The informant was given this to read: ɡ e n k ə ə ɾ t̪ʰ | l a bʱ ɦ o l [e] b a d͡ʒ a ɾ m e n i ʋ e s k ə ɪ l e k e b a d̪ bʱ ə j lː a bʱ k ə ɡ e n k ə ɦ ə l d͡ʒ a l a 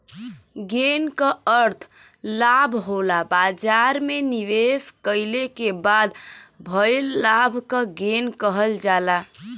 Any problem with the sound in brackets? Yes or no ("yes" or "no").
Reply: yes